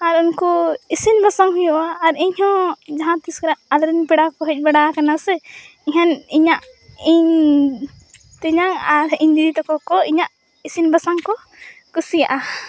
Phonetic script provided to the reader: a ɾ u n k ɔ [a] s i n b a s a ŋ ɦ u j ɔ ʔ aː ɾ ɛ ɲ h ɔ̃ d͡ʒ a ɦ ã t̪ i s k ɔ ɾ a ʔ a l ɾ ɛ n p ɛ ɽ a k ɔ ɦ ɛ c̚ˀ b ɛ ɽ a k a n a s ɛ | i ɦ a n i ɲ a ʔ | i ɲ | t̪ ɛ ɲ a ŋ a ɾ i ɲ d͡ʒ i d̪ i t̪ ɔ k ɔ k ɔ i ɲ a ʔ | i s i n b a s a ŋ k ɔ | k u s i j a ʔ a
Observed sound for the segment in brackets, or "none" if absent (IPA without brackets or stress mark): i